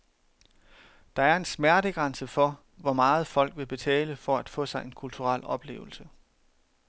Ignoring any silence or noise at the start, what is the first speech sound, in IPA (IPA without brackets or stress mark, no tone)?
d̥